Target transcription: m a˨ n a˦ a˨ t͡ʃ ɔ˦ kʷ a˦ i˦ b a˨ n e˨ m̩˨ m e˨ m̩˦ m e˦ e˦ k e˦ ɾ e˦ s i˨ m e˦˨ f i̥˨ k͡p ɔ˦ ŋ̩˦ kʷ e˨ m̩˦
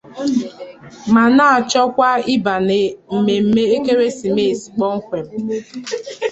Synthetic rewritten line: m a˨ n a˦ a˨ t͡ʃ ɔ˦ kʷ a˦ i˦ b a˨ n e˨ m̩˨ m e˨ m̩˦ m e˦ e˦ k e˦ ɾ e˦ s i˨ m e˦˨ s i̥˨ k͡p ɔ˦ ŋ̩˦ kʷ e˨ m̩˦